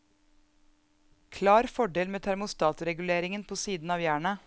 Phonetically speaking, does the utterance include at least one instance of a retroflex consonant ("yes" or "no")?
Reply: yes